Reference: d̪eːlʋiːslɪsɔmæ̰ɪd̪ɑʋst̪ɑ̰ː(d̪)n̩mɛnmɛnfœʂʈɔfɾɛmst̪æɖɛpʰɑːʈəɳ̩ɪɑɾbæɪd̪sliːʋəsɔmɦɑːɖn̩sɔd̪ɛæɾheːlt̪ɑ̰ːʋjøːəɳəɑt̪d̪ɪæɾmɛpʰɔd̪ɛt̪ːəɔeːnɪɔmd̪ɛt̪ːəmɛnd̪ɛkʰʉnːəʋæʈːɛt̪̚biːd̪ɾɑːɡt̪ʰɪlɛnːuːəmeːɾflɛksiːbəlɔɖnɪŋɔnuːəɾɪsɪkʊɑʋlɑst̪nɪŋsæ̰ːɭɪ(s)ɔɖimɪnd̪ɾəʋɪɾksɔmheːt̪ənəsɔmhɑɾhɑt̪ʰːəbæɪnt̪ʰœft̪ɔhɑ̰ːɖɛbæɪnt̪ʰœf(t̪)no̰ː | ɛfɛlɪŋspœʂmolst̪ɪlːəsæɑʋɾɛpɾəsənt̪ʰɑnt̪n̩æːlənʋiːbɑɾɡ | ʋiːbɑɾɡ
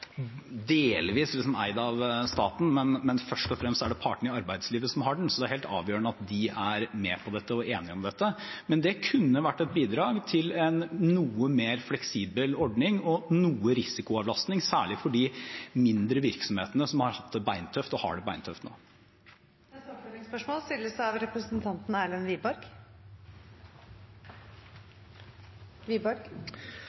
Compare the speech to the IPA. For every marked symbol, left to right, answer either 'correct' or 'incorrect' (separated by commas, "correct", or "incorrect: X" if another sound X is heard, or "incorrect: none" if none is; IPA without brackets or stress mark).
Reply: incorrect: t̪, incorrect: f, correct